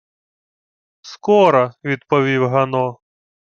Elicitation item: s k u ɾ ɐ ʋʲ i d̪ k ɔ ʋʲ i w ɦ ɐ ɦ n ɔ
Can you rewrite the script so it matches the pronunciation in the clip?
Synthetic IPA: s k ɔ ɾ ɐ ʋʲ i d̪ p ɔ ʋʲ i w ɦ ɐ n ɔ